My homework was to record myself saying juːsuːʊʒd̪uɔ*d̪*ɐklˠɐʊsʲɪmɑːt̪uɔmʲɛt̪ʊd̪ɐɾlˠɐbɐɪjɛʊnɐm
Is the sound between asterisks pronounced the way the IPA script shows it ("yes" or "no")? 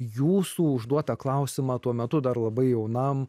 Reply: no